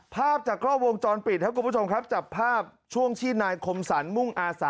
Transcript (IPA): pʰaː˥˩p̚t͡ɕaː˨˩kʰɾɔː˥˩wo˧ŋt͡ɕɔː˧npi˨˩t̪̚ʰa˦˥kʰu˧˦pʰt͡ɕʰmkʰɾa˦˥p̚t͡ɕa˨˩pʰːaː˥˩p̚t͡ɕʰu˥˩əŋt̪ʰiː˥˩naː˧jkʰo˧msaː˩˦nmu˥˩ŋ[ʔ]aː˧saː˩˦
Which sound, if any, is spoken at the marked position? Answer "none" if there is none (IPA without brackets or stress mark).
ʔ